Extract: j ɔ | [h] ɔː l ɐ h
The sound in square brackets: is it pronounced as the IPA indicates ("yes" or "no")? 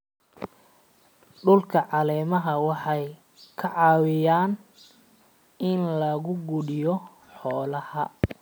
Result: no